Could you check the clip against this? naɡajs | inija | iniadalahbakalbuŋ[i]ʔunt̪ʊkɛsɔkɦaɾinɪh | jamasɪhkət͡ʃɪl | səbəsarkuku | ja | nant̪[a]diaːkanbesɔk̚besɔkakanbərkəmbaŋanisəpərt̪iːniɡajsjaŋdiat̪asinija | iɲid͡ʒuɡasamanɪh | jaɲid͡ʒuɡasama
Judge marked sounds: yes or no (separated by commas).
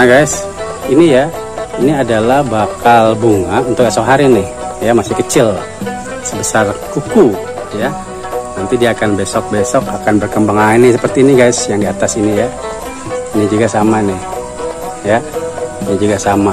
no, no